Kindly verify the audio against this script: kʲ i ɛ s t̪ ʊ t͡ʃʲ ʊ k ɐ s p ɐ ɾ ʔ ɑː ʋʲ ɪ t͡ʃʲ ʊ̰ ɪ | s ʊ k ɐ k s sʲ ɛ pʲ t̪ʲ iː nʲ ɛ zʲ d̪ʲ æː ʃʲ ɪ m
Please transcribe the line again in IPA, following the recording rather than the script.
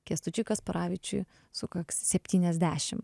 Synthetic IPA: kʲ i ɛ s t̪ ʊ t͡ʃʲ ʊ k ɐ s p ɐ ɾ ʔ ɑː ʋʲ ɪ t͡ʃʲ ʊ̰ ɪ | s ʊ k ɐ k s sʲ ɛ pʲ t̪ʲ iː nʲ ɛ zʲ d̪ʲ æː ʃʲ ɪ m